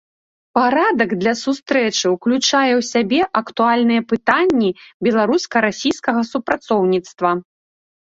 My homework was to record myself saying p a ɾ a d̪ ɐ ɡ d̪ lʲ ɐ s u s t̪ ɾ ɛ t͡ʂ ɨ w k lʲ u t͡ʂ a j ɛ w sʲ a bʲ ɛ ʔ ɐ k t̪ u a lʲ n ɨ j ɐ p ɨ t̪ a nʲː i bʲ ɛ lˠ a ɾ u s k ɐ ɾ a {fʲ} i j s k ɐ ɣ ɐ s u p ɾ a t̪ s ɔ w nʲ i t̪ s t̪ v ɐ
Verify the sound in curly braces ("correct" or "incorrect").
incorrect